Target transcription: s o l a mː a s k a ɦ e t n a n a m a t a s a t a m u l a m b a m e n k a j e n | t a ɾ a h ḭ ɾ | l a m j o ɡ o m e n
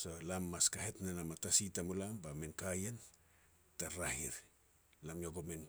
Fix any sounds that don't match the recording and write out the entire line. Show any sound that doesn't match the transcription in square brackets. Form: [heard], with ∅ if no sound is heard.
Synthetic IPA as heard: s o l a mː a s k a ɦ e t n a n a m a t a s [i] t a m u l a m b a m e n k a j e n | t a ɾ a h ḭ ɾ | l a m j o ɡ o m e n